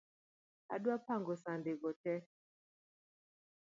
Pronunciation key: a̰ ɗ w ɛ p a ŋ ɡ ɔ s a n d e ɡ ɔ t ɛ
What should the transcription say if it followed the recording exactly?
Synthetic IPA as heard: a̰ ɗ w a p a ŋ ɡ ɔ s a n d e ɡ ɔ t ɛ